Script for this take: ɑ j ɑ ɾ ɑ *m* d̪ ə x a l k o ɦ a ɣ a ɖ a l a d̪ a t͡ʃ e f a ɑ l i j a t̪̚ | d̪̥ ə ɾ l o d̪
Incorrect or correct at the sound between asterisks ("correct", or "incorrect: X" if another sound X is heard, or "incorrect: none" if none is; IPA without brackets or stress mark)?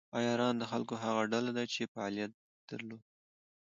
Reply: incorrect: n